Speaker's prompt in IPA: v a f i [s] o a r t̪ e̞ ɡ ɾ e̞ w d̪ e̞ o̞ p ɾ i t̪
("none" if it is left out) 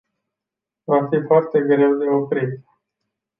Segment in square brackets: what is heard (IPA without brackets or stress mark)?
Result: f